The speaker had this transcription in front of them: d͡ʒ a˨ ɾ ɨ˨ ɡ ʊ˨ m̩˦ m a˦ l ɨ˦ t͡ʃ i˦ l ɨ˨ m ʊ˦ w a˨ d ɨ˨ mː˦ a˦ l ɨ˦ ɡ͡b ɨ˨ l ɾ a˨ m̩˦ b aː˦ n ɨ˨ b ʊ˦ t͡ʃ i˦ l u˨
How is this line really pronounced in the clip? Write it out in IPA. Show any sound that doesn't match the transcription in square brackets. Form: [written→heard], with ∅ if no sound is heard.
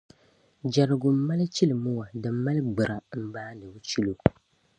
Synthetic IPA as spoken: d͡ʒ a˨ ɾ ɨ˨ ɡ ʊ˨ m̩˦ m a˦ l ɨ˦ t͡ʃ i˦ l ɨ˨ m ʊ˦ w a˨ d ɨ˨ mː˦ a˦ l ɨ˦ ɡ͡b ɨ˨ [l→∅] ɾ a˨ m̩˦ b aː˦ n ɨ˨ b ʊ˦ t͡ʃ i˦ l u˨